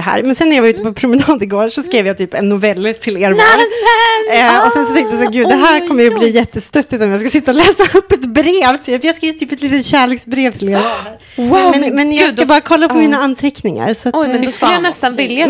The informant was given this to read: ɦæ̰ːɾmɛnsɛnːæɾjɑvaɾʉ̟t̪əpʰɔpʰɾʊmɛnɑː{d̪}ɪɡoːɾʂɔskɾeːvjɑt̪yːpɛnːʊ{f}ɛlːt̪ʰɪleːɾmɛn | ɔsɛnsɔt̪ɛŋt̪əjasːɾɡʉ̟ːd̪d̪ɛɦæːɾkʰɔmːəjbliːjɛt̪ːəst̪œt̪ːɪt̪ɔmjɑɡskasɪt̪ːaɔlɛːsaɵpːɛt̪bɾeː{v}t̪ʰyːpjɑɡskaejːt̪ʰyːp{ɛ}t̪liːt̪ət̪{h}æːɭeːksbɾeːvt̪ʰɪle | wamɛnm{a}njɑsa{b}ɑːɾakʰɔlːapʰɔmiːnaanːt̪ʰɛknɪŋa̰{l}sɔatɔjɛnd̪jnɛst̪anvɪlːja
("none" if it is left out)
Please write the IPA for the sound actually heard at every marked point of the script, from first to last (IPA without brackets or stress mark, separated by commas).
d̪, v, v, ɛ, ɕ, ɛ, b, ɾ